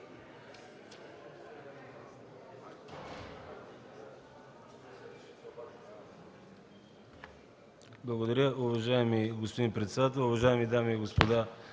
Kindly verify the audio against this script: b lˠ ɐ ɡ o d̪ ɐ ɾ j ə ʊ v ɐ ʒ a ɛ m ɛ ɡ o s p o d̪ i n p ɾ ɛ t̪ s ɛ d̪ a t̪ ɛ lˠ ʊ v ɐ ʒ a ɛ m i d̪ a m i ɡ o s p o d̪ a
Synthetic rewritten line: b lˠ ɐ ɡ o d̪ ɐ ɾ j ə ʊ v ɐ ʒ a ɛ m i ɡ o s p o d̪ i n p ɾ ɛ t̪ s ɛ d̪ a t̪ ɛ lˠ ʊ v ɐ ʒ a ɛ m i d̪ a m i ɡ o s p o d̪ a